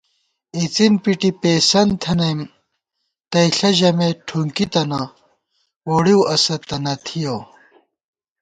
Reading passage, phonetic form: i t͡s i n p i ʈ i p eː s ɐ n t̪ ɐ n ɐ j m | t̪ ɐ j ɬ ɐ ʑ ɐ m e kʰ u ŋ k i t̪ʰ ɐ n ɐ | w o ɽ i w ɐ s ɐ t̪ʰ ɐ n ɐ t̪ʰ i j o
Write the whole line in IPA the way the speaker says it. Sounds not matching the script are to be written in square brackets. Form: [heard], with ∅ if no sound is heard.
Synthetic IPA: i t͡s i n p i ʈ i p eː s ɐ n [t̪ʰ] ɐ n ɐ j m | t̪ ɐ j ɬ ɐ ʑ ɐ m e [ʈʰ] u ŋ k i [t̪] ɐ n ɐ | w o ɽ i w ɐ s ɐ [t̪] ɐ n ɐ t̪ʰ i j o